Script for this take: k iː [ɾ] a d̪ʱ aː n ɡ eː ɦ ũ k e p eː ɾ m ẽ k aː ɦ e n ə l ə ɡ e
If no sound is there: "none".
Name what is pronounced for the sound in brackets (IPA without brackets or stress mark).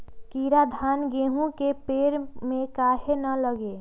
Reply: ɾ